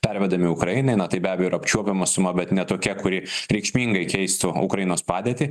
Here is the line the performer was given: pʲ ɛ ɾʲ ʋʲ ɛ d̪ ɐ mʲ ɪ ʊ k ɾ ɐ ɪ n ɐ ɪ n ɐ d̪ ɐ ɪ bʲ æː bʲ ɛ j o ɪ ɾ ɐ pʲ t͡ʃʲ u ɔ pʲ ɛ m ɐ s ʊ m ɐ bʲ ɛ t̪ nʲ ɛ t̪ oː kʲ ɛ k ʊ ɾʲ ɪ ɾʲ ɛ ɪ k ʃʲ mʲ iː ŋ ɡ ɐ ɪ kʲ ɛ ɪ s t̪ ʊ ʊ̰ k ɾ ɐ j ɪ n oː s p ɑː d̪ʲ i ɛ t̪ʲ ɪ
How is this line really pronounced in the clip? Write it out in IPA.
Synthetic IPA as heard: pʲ ɛ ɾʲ ʋʲ ɛ d̪ ɐ mʲ ɪ ʊ k ɾ ɐ ɪ n ɐ ɪ n ɐ t̪ ɐ ɪ bʲ æː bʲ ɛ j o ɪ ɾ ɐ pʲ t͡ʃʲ u ɔ pʲ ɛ m ɐ s ʊ m ɐ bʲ ɛ t̪ nʲ ɛ t̪ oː kʲ ɛ k ʊ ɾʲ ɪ ɾʲ ɛ ɪ k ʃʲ mʲ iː ŋ ɡ ɐ ɪ kʲ ɛ ɪ s t̪ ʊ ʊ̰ k ɾ ɐ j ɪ n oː s p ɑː d̪ʲ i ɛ t̪ʲ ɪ